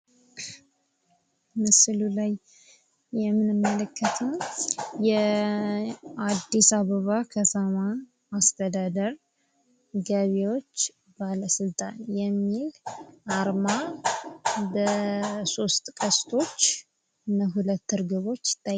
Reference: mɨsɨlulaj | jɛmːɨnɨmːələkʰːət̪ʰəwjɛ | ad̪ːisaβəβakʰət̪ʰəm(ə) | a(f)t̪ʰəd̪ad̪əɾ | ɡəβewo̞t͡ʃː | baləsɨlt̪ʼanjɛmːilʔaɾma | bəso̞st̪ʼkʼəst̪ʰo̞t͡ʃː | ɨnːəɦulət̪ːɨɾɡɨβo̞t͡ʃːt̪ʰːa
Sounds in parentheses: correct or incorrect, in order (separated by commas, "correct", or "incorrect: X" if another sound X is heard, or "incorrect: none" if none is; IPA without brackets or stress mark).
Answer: incorrect: a, incorrect: s